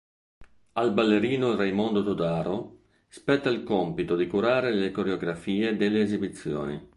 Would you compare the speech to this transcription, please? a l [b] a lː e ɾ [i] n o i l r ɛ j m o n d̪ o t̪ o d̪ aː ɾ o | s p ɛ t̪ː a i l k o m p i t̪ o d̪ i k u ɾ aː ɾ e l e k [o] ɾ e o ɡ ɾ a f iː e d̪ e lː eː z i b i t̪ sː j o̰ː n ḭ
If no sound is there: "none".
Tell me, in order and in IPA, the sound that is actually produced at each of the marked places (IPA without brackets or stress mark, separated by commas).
b, iː, o